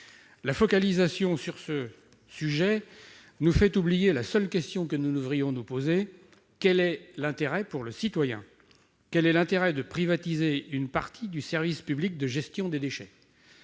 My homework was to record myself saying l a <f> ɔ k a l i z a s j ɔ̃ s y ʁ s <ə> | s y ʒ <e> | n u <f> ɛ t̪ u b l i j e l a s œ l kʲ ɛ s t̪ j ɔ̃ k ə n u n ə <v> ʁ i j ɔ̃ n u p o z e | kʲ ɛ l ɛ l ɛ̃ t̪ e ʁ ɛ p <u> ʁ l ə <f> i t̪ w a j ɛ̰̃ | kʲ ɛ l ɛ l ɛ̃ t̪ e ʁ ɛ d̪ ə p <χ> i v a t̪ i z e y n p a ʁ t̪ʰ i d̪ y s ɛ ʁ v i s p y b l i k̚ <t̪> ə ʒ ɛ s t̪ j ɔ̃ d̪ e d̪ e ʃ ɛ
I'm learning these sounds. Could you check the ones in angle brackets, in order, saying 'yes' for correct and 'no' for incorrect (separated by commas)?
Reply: yes, yes, no, yes, yes, yes, no, yes, no